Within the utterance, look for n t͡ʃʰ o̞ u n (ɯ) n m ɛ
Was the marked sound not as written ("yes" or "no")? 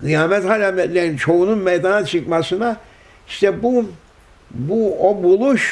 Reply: yes